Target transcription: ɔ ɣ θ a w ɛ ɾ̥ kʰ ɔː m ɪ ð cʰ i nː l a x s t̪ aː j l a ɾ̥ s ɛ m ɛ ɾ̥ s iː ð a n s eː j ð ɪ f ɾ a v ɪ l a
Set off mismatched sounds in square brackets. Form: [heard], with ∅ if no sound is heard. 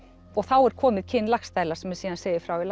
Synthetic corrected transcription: ɔ ɣ θ a w ɛ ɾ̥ kʰ ɔː m ɪ ð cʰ [ɪ] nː l a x s t̪ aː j l a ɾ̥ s ɛ m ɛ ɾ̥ s iː ð a n s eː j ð ɪ f ɾ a [w] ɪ l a